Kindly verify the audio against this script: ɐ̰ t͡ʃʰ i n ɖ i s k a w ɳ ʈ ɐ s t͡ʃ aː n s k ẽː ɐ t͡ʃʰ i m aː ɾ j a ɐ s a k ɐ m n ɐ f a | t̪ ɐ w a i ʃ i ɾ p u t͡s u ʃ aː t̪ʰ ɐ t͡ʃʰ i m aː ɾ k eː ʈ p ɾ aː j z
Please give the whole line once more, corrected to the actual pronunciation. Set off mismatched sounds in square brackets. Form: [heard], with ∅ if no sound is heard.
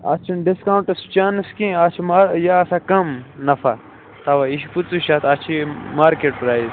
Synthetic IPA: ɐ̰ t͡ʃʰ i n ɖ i s k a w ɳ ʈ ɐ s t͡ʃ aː n s k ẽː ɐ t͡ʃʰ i m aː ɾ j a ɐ s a k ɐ m n ɐ f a | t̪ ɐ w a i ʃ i [∅] p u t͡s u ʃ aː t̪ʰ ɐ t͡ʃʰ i m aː ɾ k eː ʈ p ɾ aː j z